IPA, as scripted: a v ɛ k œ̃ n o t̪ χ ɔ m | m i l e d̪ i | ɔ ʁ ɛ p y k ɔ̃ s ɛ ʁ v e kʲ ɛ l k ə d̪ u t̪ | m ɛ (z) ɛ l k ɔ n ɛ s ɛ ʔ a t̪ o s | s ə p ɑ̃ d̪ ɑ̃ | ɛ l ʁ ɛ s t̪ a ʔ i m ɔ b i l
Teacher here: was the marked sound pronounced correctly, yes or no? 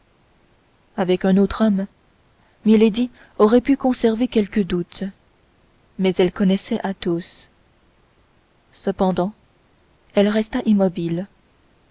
yes